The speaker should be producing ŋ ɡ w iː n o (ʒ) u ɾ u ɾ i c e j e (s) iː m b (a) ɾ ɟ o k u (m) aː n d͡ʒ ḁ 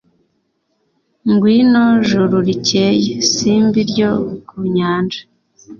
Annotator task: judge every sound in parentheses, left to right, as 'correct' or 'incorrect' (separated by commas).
correct, correct, incorrect, incorrect